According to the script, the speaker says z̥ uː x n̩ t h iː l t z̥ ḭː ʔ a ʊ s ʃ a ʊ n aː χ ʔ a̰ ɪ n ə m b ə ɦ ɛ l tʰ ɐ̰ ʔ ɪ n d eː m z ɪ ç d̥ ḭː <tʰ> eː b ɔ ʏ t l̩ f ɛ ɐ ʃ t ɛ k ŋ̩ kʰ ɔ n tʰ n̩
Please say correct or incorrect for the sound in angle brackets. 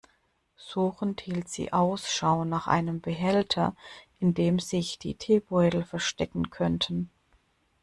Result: correct